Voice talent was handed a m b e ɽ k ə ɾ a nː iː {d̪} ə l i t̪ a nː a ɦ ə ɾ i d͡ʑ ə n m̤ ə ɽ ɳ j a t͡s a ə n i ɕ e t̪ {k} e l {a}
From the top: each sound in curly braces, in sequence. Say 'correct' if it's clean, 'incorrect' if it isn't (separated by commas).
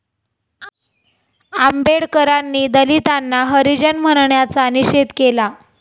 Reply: correct, correct, correct